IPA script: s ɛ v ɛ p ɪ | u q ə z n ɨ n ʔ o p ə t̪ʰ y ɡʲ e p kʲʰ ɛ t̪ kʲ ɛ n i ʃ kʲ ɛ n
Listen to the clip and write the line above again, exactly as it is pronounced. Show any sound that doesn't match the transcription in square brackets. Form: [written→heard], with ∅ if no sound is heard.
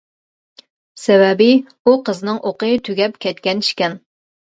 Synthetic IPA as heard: s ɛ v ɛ [p→b] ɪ | u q ə z n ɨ [n→ŋ] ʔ o [p→q] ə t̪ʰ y ɡʲ [e→ɛ] p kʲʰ ɛ t̪ kʲ ɛ n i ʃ kʲ ɛ n